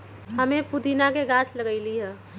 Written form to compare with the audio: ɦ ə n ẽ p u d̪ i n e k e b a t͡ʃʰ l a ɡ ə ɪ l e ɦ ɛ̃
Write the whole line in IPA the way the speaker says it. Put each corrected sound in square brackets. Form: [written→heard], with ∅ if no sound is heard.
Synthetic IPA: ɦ ə [n→m] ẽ p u d̪ i n [e→a] k e [b→ɡ] a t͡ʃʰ l [a→ə] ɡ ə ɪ l [e→i] ɦ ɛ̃